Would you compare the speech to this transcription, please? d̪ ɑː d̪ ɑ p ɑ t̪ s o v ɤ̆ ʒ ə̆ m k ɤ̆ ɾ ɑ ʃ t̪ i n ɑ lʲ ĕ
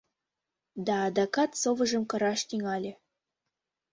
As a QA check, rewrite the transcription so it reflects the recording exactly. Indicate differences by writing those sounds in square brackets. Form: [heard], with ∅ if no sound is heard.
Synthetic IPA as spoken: d̪ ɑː d̪ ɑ [k] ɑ t̪ s o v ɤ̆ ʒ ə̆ m k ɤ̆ ɾ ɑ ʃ t̪ i [ŋ] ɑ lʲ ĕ